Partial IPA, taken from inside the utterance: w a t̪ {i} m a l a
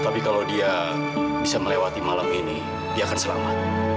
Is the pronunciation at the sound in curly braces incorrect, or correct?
correct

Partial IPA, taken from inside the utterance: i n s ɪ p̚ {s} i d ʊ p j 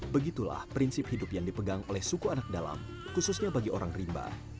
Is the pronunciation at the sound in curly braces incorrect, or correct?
incorrect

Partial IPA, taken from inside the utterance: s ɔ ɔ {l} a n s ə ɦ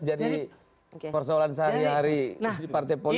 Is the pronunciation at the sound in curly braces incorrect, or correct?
correct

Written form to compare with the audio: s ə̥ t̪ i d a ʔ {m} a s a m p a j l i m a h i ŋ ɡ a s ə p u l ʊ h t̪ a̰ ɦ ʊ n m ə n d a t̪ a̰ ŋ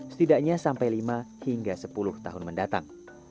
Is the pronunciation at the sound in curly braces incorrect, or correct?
incorrect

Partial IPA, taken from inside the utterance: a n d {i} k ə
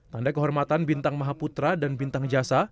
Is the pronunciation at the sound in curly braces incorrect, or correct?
incorrect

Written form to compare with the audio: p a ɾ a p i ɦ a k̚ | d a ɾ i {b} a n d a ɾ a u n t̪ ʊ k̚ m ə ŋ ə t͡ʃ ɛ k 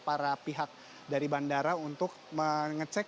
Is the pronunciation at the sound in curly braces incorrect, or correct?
correct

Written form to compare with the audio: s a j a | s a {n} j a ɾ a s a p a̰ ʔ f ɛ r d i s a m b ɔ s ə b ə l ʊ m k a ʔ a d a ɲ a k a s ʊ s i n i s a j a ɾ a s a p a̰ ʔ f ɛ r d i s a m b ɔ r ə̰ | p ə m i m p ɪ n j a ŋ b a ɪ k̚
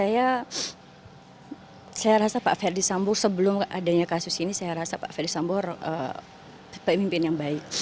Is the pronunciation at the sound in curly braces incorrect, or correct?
incorrect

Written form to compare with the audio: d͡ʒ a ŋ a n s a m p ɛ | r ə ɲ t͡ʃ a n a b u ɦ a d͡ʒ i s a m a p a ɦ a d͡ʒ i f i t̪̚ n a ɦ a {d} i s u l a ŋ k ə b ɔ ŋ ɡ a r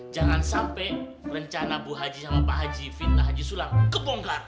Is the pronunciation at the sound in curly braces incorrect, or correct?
incorrect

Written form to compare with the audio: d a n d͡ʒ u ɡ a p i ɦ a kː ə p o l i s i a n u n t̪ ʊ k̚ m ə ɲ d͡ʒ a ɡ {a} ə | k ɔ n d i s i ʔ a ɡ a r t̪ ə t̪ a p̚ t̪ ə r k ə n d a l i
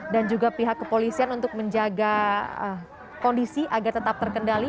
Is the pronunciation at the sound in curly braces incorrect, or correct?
correct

